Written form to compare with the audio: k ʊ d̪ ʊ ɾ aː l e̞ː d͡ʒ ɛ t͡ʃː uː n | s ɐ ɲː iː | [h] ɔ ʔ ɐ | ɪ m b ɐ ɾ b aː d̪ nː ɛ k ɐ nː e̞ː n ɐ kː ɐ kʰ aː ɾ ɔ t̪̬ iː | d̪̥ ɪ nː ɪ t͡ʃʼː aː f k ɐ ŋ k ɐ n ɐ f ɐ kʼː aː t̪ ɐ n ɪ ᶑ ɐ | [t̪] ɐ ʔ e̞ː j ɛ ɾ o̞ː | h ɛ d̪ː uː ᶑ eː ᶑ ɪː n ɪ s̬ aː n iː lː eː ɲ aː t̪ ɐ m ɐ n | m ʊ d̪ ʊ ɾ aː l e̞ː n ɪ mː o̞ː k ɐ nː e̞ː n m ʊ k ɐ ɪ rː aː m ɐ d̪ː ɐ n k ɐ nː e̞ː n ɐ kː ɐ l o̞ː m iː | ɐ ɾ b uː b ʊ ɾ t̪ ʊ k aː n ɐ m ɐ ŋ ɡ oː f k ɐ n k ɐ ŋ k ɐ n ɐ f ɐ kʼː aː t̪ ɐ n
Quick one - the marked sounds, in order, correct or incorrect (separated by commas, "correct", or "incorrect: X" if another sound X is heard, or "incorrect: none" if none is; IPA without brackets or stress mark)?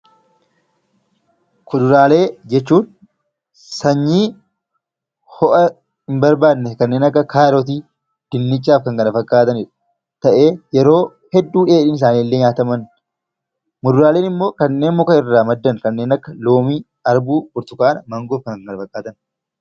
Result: correct, correct